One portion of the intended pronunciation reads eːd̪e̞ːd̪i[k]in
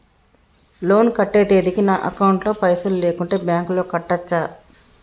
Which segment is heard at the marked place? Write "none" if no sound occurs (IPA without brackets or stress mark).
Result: k